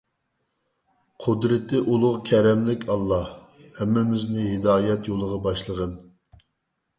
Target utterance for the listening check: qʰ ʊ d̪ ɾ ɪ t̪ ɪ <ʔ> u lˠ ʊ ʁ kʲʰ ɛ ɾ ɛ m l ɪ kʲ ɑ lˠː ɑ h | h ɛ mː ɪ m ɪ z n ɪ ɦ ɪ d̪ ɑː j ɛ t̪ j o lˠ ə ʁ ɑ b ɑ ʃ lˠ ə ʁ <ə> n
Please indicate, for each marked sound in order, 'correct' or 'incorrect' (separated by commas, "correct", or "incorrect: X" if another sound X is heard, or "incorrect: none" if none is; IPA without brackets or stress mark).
correct, correct